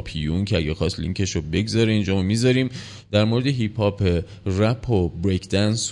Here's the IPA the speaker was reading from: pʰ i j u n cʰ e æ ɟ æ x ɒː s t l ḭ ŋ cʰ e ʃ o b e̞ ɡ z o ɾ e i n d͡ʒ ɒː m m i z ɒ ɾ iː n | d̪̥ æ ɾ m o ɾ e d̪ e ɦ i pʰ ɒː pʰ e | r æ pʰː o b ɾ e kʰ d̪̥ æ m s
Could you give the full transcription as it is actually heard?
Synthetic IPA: pʰ i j u n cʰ e æ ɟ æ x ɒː s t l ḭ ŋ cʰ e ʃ o b e̞ ɡ z ɒ ɾ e i n d͡ʒ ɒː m m i z ɒ ɾ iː m | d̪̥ æ ɾ m o ɾ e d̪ e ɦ i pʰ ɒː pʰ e | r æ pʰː o b ɾ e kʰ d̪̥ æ n s